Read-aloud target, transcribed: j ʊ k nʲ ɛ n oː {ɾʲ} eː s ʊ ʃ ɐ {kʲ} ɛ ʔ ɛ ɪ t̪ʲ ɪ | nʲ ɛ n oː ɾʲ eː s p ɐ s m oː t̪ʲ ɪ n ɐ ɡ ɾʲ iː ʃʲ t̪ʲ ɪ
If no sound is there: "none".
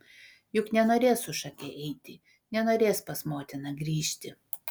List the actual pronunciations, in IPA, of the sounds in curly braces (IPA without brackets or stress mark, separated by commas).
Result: ɾʲ, kʲ